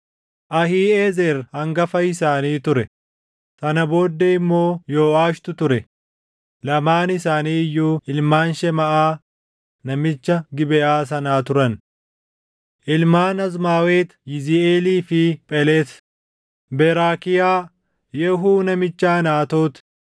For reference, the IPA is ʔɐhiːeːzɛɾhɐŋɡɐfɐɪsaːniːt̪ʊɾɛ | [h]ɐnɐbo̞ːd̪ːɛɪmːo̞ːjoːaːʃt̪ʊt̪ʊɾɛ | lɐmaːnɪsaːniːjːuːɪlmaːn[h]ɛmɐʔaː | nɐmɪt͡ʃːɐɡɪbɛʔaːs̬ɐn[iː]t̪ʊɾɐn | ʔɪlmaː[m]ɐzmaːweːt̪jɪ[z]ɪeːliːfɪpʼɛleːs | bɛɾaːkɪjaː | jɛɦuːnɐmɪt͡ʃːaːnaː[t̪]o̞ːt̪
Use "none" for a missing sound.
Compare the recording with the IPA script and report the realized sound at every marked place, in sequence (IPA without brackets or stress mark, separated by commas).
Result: s, ʃ, aː, n, z, t̪